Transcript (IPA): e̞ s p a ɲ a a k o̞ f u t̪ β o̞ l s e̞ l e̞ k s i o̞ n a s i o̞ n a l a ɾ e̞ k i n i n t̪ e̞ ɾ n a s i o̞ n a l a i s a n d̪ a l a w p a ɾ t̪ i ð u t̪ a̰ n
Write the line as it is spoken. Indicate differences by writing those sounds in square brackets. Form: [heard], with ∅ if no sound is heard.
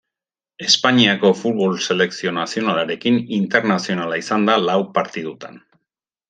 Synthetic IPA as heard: e̞ s p a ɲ [i] a k o̞ f u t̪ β o̞ l s e̞ l e̞ k s i o̞ n a s i o̞ n a l a ɾ e̞ k i n i n t̪ e̞ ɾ n a s i o̞ n a l a i s a n d̪ a l a w p a ɾ t̪ i ð u t̪ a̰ n